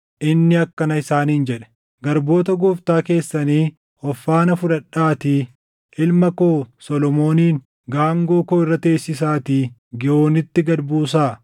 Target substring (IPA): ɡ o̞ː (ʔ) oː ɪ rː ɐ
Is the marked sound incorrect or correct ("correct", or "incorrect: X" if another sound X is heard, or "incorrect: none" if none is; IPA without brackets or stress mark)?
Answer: incorrect: k